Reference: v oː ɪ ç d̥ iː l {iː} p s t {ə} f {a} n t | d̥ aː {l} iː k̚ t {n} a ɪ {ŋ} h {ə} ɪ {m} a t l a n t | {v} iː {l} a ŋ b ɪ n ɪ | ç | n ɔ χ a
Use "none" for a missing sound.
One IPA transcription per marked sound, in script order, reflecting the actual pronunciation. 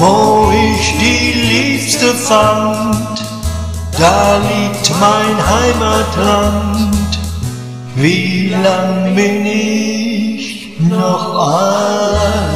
iː, ə, a, l, m, n, a, m, v, l

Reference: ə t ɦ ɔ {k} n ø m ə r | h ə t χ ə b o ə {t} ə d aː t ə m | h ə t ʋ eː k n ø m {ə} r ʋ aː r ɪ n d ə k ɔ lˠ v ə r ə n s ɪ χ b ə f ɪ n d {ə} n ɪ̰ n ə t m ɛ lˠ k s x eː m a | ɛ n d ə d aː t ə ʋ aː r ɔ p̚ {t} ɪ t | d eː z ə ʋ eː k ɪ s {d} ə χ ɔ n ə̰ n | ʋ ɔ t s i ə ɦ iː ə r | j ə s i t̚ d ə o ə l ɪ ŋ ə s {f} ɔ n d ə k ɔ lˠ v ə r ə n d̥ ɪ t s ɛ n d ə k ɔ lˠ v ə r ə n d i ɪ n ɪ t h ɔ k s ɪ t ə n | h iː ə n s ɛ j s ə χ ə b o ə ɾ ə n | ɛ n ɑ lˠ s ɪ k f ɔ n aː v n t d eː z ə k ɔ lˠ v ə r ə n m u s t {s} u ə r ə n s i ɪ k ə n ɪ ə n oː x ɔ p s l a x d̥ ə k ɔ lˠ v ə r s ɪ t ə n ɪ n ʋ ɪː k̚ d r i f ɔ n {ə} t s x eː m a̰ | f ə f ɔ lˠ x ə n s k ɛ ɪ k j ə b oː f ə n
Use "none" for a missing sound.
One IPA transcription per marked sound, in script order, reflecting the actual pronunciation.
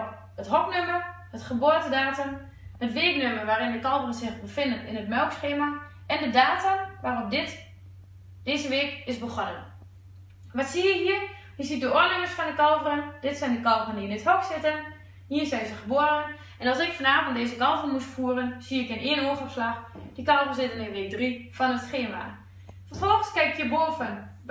k, t, ə, ə, d, b, f, f, ə

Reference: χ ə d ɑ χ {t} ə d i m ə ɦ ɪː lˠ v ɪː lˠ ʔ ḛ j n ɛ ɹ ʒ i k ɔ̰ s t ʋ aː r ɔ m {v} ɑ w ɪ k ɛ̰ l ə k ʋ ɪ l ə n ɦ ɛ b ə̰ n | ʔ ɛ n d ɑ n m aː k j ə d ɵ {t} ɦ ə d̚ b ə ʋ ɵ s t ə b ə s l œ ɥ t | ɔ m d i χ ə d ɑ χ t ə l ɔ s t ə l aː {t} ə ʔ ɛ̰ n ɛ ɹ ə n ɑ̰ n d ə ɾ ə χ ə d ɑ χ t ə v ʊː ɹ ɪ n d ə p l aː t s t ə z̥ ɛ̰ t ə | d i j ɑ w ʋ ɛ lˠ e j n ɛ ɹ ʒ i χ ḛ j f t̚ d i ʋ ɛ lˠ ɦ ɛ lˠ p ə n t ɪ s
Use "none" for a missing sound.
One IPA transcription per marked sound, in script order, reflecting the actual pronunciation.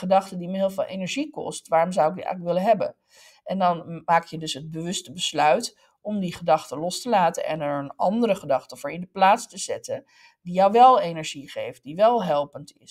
t, z, s, t

